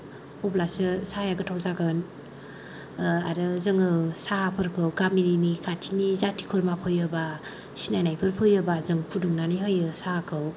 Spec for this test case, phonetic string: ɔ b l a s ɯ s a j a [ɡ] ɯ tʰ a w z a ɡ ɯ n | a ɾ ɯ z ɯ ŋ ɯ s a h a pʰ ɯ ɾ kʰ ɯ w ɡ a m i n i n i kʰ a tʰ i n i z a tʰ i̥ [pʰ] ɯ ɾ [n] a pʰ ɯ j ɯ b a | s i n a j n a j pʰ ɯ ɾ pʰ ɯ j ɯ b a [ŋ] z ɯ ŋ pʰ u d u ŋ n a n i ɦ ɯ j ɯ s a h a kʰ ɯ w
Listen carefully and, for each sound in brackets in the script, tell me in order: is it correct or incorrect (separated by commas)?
correct, incorrect, incorrect, incorrect